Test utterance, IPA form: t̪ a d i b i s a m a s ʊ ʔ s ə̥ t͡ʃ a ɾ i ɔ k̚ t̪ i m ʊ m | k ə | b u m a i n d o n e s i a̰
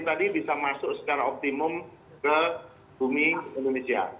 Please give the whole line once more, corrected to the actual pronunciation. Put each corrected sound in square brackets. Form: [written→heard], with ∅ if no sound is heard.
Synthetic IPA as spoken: t̪ a d i b i s a m a s ʊ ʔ s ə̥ t͡ʃ a ɾ [i→a] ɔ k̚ t̪ i m ʊ m | k ə | b u m [a→i] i n d o n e s i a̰